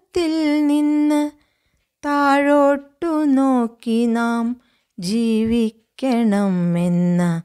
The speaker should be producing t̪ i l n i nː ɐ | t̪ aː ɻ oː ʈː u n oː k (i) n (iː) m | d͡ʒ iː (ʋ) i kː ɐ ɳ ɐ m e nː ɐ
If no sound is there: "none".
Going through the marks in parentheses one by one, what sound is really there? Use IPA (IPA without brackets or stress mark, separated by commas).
i, aː, ʋ